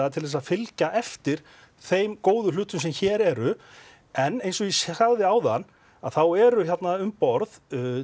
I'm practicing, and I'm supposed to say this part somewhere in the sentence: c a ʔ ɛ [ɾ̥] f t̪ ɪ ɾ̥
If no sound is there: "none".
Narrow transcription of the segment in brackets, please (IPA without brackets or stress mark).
none